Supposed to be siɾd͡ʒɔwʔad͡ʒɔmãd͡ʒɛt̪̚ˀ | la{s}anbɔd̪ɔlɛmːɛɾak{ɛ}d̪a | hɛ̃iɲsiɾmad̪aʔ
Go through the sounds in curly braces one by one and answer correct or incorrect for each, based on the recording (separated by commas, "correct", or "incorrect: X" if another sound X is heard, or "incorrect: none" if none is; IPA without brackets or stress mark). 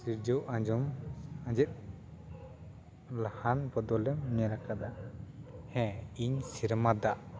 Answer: incorrect: h, incorrect: a